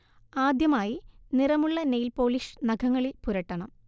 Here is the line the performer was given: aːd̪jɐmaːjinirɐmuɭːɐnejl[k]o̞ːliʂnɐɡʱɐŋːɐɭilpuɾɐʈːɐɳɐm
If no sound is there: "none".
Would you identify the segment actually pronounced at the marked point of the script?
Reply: p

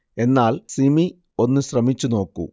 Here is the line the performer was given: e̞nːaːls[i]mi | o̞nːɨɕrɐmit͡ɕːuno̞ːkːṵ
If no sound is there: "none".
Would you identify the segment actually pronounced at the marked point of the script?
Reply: i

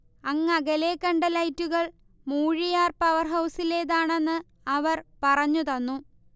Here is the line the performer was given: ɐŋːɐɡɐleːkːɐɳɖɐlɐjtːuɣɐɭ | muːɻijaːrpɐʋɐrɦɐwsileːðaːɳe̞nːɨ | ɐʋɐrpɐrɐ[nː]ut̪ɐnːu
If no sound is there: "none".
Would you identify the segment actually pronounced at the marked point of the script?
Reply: ɲː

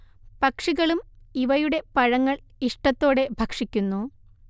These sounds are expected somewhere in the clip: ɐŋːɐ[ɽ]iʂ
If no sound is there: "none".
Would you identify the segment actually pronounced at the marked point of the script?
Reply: ɭ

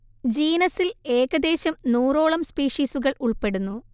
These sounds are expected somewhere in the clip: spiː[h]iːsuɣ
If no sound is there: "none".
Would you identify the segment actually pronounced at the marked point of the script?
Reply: ʂ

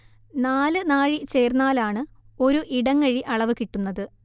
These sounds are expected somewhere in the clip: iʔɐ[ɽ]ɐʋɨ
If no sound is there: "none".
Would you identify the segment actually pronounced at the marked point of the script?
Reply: ɭ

